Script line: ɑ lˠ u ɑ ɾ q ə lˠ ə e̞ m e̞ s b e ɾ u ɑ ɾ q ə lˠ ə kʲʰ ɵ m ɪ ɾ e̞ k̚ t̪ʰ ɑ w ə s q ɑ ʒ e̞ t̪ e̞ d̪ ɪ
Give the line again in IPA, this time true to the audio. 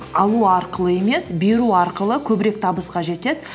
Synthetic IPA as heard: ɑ lˠ u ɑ ɾ q ə lˠ ə e̞ m e̞ s b e ɾ u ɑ ɾ q ə lˠ ə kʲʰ ɵ b ɪ ɾ e̞ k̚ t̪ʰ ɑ b ə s q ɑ ʒ e̞ t̪ e̞ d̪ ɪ

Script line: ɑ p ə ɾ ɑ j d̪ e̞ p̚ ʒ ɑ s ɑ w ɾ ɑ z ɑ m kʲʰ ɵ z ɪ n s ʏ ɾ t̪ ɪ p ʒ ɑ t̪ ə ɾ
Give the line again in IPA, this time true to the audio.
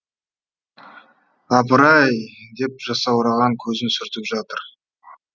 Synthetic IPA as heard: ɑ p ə ɾ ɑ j d̪ e̞ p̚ ʒ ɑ s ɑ w ɾ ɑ ʁ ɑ ŋ kʲʰ ɵ z ɪ n s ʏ ɾ t̪ ɪ p ʒ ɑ t̪ ə ɾ

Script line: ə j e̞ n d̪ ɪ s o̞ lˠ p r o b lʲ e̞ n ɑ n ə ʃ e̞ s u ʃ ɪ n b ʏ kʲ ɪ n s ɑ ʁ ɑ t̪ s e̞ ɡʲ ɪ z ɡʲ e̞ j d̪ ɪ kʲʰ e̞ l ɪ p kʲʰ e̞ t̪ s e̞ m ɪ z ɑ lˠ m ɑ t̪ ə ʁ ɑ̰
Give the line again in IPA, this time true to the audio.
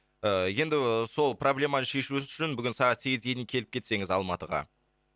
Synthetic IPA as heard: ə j e̞ n d̪ ɪ s o̞ lˠ p r o b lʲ e̞ m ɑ n ə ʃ e̞ ʃ u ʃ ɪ n b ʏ ɡʲ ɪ n s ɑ ʁ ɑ t̪ s e̞ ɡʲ ɪ z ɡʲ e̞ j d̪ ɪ kʲʰ e̞ l ɪ p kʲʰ e̞ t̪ s e̞ ŋ ɪ z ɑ lˠ m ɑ t̪ ə ʁ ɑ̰

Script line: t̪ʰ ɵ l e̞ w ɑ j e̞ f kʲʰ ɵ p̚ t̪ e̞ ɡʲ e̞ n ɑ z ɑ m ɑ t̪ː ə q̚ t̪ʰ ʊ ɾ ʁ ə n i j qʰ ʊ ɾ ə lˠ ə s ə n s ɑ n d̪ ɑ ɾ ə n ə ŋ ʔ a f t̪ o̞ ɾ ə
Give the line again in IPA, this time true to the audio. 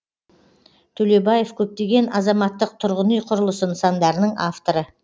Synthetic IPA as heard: t̪ʰ ɵ l e̞ b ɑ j e̞ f kʲʰ ɵ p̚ t̪ e̞ ɡʲ e̞ n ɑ z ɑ m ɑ t̪ː ə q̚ t̪ʰ ʊ ɾ ʁ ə n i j qʰ ʊ ɾ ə lˠ ə s ə n s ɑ n d̪ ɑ ɾ ə n ə ɴ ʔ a f t̪ o̞ ɾ ə

